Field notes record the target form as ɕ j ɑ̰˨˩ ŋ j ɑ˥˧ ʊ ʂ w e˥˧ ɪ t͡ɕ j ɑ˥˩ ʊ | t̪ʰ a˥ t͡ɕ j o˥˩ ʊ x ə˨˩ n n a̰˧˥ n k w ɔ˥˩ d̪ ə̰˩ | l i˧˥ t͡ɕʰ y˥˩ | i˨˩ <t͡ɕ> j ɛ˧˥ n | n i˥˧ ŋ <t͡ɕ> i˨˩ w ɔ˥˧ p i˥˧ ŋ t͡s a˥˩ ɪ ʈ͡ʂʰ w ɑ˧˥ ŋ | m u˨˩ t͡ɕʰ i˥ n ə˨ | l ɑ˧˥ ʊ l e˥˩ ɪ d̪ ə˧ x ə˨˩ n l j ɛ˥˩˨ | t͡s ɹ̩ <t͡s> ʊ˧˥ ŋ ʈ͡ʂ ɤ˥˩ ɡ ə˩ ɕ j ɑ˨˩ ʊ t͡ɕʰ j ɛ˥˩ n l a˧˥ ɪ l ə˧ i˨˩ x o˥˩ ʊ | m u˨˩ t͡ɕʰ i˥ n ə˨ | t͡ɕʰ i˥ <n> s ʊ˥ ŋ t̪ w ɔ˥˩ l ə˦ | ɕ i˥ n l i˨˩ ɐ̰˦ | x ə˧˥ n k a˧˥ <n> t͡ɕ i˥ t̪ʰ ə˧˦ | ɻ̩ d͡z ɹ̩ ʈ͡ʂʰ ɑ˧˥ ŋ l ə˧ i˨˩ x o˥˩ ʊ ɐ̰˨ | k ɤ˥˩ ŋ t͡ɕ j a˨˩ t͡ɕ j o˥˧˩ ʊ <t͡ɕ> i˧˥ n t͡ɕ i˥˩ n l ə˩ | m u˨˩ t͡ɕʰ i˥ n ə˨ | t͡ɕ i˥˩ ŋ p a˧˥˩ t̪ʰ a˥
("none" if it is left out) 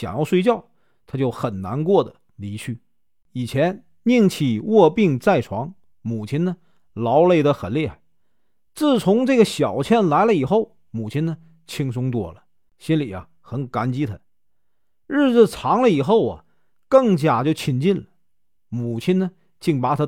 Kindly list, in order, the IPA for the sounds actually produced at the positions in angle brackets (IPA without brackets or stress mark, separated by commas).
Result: t͡ɕʰ, t͡ɕʰ, t͡sʰ, ŋ, n, t͡ɕʰ